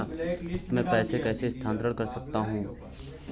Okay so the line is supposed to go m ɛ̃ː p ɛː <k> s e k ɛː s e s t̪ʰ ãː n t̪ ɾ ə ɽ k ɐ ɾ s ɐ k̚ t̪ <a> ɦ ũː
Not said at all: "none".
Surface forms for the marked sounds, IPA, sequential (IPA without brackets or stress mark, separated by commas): none, a